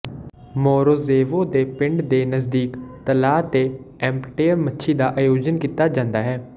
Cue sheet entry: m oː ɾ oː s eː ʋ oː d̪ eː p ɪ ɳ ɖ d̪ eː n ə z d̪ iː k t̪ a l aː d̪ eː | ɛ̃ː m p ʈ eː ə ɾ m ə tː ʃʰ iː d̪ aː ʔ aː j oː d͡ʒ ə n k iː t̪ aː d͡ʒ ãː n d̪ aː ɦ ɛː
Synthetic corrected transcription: m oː ɾ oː z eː ʋ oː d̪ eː p ɪ ɳ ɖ d̪ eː n ə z d̪ iː k t̪ ə l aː t̪ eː | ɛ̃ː m p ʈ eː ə ɾ m ə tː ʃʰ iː d̪ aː ʔ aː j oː d͡ʒ ə n k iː t̪ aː d͡ʒ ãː n d̪ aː ɦ ɛː